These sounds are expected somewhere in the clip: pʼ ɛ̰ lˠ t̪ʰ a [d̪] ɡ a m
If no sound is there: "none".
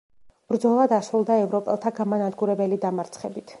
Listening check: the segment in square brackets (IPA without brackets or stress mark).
none